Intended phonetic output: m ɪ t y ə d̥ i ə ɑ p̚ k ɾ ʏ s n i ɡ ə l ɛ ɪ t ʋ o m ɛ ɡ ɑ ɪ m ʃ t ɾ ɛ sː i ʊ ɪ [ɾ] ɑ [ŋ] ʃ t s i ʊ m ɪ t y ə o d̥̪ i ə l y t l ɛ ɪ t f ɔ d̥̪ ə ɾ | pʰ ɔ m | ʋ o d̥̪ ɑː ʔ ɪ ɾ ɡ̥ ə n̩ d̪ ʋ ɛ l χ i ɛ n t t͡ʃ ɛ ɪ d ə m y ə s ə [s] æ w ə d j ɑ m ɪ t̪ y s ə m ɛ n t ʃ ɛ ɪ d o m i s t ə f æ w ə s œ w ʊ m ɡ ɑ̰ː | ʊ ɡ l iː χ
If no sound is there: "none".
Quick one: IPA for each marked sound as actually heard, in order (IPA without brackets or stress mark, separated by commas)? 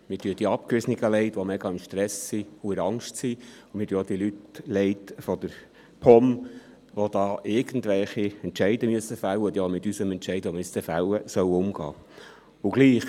ɾ, ŋ, f